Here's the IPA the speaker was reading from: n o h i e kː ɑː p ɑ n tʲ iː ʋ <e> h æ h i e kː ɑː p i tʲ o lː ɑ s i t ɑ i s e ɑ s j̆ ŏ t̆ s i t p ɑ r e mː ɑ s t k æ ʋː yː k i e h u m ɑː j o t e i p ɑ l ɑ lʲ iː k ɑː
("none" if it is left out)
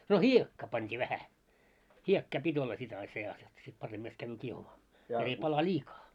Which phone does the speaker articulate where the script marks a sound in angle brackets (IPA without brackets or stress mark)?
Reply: æ